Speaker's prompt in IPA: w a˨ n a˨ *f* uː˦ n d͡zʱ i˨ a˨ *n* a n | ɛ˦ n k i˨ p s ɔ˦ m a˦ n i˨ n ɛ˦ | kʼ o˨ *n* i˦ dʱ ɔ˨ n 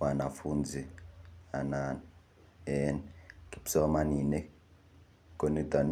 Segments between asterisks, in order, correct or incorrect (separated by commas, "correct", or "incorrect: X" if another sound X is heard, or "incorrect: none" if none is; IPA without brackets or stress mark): correct, correct, correct